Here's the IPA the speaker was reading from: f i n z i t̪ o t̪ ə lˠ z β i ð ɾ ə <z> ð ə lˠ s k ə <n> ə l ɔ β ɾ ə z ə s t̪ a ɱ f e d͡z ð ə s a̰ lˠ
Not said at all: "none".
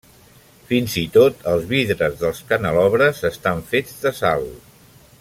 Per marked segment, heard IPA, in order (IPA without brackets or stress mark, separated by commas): z, n